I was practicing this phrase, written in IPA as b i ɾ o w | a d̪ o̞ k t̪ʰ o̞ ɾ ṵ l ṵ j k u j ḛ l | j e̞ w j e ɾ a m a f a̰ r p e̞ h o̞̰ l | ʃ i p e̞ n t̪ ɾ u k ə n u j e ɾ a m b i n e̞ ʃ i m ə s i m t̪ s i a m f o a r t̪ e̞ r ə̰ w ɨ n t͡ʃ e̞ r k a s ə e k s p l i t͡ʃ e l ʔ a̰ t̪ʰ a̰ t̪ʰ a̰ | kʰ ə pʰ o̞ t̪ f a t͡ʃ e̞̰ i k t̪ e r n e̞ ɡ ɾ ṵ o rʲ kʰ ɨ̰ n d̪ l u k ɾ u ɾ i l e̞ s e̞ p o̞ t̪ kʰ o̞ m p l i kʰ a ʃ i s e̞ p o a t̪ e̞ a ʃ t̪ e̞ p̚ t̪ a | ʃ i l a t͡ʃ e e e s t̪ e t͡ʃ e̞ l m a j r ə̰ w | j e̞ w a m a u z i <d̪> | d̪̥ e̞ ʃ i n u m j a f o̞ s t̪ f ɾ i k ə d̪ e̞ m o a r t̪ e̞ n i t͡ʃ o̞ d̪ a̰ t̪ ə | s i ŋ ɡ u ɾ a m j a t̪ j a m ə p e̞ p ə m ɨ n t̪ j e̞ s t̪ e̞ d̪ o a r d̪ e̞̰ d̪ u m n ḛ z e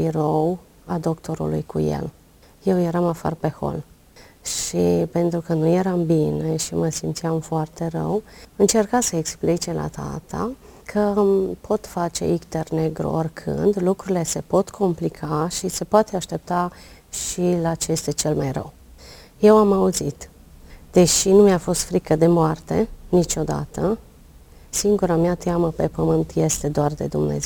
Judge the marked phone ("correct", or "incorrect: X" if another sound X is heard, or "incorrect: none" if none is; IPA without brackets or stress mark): incorrect: t̪